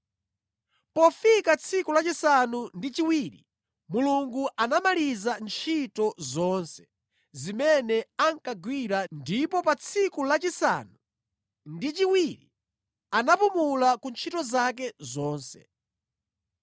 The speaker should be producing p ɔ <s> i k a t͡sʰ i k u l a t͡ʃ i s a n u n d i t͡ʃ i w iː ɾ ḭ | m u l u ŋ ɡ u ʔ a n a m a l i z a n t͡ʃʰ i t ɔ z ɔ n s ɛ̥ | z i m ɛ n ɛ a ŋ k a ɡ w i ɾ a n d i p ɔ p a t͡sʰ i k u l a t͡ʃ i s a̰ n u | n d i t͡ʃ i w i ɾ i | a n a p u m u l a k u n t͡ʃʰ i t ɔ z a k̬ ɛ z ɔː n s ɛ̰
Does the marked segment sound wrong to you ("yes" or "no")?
yes